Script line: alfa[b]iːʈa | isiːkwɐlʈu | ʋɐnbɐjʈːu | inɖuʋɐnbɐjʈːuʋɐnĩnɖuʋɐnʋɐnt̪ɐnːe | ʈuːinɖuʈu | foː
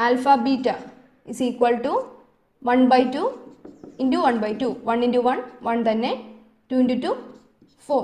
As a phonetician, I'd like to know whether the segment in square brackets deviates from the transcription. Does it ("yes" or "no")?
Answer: no